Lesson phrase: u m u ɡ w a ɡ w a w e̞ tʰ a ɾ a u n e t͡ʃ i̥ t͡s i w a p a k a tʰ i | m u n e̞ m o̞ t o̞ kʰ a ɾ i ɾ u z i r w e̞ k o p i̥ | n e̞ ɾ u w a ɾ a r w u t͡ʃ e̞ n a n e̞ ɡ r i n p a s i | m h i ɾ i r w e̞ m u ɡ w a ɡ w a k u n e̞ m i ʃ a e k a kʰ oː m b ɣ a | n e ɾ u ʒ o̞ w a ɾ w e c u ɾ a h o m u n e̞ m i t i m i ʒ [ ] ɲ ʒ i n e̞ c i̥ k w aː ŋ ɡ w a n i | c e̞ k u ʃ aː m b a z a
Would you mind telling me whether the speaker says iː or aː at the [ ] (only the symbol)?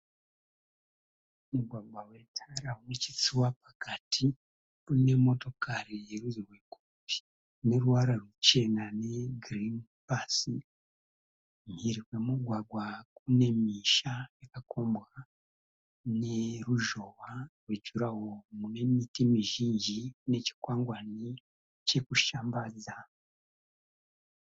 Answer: iː